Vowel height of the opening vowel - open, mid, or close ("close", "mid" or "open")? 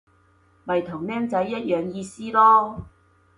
open